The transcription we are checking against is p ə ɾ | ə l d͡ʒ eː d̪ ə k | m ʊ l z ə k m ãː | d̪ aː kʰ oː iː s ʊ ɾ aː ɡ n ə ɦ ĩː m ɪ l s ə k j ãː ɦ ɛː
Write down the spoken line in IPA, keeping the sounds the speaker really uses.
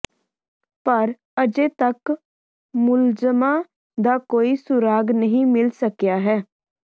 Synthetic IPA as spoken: p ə ɾ | ə d͡ʒ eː t̪ ə k | m ʊ l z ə m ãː | d̪ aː k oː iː s ʊ ɾ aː ɡ n ə ɦ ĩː m ɪ l s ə k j aː ɦ ɛː